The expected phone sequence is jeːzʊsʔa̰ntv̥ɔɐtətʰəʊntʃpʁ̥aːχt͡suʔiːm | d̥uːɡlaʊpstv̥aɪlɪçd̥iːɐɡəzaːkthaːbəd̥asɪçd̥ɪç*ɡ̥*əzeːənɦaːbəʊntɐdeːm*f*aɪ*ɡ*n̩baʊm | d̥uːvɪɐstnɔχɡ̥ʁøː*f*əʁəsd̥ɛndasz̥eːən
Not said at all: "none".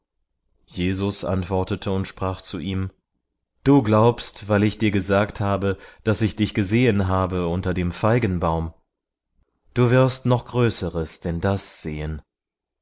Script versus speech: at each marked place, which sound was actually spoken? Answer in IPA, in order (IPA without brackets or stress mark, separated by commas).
ɡ̥, f, ɡ, s